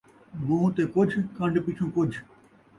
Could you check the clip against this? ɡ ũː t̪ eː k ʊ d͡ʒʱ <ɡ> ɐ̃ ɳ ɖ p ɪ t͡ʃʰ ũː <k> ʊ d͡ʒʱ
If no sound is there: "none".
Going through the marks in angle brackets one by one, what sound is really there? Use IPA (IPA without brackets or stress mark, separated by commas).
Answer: k, k